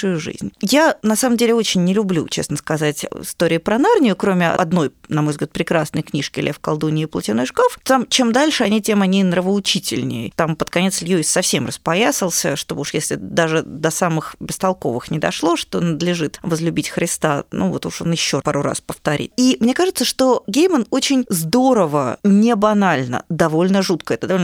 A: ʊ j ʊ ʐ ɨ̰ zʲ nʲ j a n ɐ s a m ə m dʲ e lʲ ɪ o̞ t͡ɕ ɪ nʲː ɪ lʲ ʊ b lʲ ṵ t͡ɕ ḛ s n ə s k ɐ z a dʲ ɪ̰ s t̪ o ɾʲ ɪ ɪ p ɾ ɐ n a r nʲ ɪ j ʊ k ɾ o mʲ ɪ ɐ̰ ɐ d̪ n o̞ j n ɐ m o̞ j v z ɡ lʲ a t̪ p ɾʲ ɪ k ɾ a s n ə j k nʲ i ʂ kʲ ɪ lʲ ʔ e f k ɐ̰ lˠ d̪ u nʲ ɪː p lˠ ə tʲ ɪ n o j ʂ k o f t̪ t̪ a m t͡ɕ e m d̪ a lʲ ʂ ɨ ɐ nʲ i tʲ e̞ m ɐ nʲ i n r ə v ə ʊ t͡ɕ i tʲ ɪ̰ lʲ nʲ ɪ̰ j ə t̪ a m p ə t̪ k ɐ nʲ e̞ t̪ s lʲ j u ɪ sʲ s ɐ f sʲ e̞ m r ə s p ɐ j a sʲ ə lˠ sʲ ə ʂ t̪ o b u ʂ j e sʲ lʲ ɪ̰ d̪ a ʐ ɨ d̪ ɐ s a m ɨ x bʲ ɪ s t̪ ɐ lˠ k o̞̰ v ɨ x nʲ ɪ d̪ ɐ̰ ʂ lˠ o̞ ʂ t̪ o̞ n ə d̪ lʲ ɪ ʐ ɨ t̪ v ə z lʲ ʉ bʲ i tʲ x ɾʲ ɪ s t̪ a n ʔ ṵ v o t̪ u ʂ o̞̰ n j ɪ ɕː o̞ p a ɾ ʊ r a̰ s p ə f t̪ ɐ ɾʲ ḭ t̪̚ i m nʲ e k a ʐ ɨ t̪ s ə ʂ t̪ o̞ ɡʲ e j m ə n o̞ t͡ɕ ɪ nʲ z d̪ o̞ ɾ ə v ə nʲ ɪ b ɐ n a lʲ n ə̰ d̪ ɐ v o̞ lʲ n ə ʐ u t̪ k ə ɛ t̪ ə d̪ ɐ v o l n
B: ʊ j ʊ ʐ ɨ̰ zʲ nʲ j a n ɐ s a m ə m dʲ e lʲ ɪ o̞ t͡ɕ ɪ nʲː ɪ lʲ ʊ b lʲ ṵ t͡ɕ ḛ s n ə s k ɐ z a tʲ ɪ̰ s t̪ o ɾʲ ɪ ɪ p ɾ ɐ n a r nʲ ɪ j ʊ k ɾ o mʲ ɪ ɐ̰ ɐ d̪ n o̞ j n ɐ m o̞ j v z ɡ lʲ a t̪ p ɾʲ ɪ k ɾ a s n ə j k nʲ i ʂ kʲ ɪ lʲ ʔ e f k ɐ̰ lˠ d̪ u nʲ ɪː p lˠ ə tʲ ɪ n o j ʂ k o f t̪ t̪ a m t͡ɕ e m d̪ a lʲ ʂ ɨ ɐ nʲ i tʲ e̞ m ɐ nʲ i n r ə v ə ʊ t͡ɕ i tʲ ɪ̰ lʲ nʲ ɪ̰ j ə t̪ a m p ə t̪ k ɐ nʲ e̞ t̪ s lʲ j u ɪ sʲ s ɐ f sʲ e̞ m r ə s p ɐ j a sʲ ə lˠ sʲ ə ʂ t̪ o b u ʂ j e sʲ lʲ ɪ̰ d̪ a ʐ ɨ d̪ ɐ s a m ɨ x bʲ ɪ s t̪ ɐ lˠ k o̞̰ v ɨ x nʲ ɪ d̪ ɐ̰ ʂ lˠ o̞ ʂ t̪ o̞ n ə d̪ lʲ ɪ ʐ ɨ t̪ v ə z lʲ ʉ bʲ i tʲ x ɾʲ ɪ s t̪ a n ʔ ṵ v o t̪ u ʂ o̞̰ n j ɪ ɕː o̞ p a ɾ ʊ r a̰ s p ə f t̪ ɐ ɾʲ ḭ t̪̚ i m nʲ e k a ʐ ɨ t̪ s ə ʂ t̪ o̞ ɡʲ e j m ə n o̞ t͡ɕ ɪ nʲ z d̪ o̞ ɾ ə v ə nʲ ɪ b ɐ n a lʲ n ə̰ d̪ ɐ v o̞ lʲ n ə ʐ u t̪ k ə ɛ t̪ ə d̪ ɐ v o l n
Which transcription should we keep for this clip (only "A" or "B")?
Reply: B